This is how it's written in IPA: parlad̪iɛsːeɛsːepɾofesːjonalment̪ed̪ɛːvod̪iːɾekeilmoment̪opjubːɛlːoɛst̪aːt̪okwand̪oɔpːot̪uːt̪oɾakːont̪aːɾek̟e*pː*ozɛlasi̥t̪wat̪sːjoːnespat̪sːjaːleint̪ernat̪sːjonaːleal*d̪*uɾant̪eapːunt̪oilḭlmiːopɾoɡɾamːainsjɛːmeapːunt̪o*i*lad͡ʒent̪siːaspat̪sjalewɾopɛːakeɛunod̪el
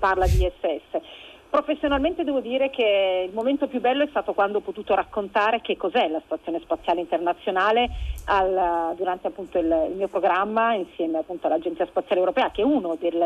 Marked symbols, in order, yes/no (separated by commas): no, yes, no